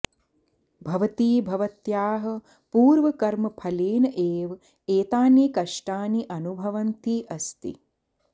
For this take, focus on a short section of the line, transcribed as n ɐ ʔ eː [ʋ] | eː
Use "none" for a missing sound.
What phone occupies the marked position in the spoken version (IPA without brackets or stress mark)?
ʋ